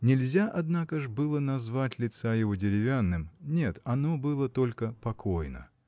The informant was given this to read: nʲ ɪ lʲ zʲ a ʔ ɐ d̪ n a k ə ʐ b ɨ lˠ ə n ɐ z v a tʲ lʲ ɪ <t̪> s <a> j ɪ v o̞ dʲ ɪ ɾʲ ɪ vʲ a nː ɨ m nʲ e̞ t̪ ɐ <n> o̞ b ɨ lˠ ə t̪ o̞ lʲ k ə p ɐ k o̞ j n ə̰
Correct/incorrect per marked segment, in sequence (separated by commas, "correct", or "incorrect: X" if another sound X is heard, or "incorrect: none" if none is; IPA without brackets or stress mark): correct, correct, correct